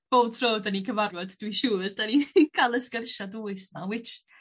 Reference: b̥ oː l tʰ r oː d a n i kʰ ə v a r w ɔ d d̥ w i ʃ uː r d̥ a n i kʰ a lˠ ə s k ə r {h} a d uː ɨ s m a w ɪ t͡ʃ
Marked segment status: incorrect: ʃ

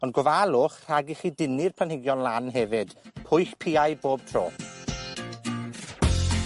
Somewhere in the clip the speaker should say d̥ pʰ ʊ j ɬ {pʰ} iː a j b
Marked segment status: correct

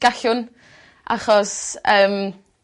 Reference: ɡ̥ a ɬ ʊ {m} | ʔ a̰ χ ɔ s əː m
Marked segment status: incorrect: n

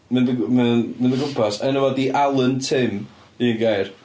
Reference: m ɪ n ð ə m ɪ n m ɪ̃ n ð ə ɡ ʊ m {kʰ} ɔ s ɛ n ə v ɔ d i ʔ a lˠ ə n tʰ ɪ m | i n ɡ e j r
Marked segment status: incorrect: pʰ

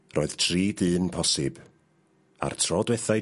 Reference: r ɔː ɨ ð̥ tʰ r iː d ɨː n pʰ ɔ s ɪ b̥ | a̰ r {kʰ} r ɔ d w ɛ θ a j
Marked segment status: incorrect: tʰ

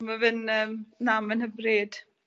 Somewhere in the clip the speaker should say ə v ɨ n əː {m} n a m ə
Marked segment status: correct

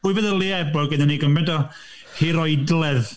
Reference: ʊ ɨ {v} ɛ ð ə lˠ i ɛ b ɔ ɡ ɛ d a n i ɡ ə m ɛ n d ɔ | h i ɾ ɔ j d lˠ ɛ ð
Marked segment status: correct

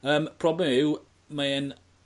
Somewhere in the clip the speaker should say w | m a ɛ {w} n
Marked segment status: incorrect: none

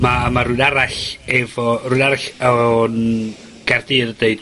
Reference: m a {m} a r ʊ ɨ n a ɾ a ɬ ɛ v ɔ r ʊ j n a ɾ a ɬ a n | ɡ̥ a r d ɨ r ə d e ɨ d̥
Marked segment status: correct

